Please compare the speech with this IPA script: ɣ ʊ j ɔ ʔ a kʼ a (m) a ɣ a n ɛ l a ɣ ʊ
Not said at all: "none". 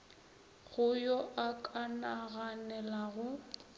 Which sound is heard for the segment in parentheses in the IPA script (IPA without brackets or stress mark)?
n